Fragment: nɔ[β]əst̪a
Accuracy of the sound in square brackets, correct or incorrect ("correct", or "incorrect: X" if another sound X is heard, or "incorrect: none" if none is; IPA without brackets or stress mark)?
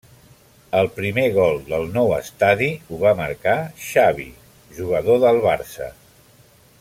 incorrect: w